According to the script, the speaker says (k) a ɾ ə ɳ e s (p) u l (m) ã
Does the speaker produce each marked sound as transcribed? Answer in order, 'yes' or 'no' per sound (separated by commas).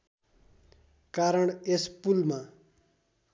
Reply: yes, yes, yes